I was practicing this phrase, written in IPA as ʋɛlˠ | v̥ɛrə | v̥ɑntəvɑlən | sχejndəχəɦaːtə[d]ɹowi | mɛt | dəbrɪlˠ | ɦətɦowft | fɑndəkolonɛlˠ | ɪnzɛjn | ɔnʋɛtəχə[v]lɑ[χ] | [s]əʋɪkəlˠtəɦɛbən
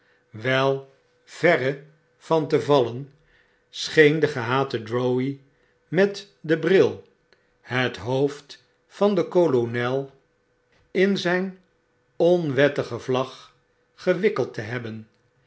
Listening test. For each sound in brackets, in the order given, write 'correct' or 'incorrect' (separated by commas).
correct, correct, correct, incorrect